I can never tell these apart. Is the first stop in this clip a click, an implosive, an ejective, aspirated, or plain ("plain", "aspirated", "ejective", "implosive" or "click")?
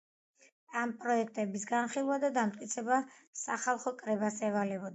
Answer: ejective